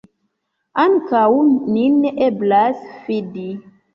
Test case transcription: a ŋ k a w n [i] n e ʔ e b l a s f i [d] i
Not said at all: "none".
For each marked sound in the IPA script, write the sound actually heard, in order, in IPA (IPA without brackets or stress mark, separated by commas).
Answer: i, d